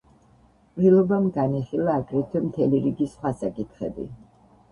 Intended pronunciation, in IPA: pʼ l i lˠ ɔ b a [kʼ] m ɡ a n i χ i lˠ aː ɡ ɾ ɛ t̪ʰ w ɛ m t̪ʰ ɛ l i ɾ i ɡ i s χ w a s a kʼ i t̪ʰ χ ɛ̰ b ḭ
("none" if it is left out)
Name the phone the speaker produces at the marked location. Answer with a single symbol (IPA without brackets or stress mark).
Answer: none